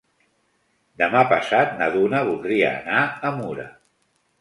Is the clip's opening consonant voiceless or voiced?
voiced